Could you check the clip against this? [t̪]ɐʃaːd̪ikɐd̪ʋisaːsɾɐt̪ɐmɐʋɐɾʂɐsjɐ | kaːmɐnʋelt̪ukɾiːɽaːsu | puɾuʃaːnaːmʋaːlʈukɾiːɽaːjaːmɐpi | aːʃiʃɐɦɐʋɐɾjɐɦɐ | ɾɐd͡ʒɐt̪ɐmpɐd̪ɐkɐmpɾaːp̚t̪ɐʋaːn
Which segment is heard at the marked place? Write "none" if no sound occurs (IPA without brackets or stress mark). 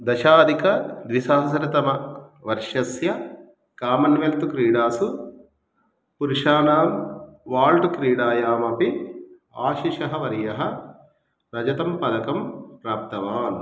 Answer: d̪